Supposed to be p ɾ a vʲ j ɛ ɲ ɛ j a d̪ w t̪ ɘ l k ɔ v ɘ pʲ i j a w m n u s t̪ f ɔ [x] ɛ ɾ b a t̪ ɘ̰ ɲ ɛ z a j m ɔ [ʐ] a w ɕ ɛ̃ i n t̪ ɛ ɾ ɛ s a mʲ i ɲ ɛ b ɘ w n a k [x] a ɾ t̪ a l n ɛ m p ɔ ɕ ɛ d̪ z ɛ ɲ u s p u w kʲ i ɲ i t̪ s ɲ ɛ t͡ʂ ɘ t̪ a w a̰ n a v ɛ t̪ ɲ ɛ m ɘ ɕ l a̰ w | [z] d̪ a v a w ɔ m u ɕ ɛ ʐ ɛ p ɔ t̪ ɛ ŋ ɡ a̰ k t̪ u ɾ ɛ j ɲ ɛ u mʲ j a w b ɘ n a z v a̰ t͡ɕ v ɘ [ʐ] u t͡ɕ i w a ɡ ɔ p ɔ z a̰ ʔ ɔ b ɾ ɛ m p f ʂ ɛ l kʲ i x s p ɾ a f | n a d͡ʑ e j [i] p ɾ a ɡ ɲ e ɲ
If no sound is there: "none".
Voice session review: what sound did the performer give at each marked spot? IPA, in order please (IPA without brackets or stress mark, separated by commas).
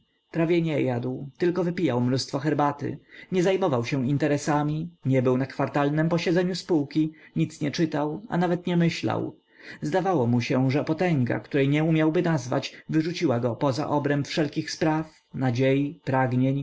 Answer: x, v, f, z, ʐ, i